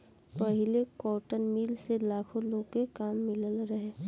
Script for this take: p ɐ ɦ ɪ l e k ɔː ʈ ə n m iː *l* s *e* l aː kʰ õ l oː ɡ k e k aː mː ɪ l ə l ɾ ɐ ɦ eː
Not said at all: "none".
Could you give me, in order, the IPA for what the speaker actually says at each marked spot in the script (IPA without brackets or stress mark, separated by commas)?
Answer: l, e